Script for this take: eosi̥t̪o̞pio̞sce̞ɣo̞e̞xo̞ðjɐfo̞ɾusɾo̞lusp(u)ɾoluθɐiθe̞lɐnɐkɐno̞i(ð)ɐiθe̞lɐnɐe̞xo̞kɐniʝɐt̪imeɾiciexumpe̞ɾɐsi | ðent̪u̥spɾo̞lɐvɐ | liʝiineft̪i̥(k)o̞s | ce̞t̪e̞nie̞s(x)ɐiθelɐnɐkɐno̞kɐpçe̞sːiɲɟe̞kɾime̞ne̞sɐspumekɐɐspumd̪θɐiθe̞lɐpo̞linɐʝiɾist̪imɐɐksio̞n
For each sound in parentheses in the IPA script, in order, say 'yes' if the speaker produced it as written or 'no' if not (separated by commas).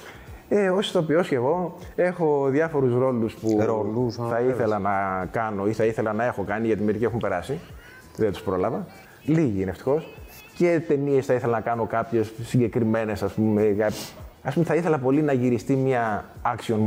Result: yes, no, no, no